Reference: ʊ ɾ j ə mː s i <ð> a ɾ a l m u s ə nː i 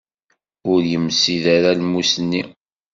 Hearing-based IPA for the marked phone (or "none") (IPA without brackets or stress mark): ð